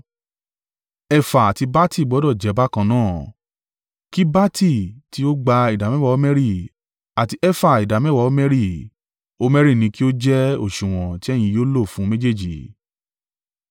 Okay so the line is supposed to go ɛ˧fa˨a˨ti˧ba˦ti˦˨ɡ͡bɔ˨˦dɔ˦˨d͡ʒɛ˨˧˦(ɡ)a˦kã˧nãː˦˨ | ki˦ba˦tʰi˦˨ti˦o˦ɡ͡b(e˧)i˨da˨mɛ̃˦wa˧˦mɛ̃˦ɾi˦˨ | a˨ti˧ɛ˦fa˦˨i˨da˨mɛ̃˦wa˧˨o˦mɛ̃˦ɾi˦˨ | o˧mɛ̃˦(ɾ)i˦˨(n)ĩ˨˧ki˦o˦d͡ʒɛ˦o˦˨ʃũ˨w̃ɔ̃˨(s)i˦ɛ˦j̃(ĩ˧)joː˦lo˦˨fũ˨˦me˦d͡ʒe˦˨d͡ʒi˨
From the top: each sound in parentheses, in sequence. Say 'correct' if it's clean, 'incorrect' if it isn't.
incorrect: b, incorrect: a˧, correct, correct, incorrect: t, correct

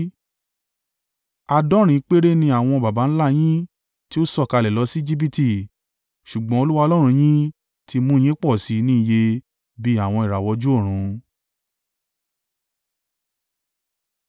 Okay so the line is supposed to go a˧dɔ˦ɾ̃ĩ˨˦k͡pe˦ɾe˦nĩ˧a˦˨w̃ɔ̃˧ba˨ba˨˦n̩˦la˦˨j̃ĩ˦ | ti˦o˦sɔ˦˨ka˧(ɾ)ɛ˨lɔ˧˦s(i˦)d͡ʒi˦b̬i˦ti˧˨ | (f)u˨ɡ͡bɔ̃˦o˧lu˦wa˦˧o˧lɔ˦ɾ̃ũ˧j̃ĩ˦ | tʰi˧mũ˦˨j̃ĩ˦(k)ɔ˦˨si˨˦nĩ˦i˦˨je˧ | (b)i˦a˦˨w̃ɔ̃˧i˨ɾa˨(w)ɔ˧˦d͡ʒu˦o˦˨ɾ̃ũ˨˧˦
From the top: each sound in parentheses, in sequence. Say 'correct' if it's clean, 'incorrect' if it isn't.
incorrect: l, correct, incorrect: ʃ, incorrect: k͡p, correct, correct

